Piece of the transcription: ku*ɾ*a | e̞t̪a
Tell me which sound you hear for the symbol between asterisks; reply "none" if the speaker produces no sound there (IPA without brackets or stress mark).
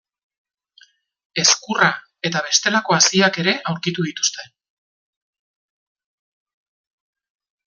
r